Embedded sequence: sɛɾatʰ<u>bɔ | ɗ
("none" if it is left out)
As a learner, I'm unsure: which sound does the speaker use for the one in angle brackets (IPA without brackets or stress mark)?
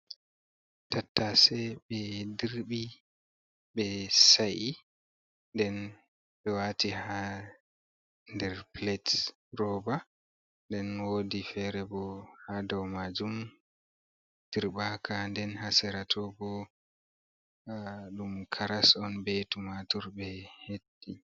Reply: ɔ